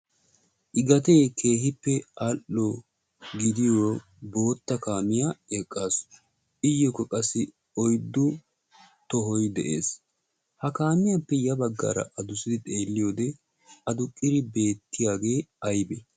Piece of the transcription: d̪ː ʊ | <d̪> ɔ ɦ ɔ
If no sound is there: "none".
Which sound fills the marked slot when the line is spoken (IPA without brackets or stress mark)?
t̪